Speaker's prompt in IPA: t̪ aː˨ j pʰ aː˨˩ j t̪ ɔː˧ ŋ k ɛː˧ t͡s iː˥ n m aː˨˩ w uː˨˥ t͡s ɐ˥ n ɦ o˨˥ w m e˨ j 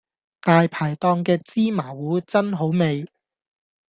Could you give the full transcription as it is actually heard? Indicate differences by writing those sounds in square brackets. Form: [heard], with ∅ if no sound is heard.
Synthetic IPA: t̪ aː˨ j pʰ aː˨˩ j t̪ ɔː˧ ŋ k ɛː˧ t͡s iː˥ [∅] m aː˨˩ w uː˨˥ t͡s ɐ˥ n ɦ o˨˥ w m e˨ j